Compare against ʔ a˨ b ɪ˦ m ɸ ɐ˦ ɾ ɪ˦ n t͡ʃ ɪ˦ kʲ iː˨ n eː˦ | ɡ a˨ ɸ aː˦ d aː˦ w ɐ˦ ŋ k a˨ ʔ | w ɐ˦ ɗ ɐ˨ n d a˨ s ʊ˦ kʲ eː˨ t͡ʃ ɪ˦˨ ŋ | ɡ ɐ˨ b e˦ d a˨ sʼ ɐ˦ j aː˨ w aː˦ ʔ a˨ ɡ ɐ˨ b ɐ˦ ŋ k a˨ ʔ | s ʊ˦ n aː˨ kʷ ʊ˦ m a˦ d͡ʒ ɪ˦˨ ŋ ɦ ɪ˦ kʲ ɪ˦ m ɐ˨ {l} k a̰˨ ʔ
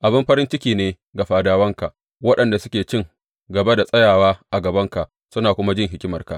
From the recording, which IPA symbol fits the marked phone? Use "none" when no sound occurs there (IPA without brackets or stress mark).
r